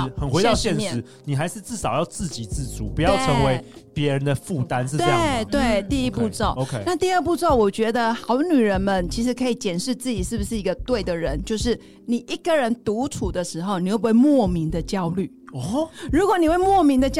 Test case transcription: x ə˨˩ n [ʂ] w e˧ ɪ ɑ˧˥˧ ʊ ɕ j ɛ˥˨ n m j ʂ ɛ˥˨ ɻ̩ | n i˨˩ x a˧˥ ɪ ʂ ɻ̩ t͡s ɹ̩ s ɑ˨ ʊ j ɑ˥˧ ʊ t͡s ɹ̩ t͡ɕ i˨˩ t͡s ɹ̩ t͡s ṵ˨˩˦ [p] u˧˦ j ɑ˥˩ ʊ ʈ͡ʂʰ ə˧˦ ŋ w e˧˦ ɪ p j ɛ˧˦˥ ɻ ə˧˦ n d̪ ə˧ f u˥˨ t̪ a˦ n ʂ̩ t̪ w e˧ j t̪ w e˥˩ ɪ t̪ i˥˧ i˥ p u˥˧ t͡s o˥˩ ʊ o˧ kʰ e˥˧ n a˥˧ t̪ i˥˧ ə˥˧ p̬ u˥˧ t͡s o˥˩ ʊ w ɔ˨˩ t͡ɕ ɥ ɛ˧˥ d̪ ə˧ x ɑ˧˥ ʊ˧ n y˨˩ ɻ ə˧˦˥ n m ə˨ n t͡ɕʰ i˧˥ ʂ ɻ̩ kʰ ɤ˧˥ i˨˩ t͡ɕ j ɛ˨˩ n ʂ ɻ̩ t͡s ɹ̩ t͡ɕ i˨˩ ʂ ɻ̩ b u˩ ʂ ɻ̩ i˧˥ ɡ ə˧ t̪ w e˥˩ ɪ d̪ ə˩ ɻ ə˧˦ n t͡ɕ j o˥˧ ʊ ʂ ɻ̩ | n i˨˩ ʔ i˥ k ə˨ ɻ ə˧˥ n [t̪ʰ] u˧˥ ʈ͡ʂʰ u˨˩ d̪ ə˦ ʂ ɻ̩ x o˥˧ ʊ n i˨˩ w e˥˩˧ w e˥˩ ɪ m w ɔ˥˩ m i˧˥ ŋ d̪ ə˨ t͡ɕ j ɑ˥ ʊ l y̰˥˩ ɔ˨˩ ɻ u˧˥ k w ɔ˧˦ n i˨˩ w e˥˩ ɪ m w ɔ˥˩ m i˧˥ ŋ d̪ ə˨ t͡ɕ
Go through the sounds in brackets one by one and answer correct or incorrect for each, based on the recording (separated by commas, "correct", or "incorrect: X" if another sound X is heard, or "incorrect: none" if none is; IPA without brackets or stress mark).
incorrect: x, correct, incorrect: t̪